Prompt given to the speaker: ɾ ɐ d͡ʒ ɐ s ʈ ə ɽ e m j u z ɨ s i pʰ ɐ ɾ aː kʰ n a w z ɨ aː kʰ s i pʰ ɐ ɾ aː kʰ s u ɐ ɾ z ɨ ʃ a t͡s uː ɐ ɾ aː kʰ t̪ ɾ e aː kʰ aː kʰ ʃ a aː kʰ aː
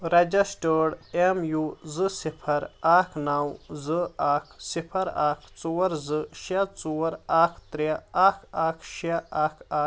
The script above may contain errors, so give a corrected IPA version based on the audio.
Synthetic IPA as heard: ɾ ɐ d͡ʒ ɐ s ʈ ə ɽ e m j u z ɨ s i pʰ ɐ ɾ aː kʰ n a w z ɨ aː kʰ s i pʰ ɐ ɾ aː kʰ t͡s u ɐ ɾ z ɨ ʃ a t͡s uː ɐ ɾ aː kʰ t̪ ɾ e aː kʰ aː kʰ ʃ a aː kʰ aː